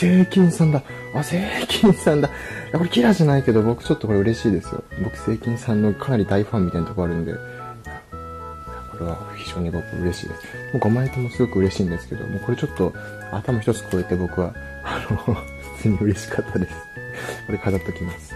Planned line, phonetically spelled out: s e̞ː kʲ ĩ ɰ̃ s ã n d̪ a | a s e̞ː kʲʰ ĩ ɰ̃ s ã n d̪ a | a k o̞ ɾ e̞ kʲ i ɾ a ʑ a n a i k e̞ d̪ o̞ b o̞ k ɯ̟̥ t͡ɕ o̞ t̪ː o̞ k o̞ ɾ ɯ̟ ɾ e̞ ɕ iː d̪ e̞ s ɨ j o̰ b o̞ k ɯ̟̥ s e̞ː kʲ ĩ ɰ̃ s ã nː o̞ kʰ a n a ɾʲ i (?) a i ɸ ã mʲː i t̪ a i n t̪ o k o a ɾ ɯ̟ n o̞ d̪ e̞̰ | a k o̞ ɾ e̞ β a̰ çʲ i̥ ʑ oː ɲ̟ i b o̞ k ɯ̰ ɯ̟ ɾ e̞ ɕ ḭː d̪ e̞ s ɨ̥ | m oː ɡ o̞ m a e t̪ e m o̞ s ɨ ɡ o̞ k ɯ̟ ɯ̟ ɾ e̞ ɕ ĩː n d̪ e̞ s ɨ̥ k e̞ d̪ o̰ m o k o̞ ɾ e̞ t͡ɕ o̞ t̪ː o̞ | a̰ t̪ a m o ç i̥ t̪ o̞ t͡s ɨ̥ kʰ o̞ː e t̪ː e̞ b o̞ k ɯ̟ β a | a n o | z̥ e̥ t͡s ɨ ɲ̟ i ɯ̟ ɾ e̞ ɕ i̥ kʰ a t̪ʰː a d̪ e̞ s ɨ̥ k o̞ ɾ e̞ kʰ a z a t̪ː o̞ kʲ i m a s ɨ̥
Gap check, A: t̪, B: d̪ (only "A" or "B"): B